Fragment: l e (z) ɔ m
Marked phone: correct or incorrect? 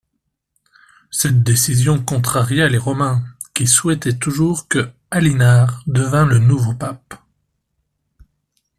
incorrect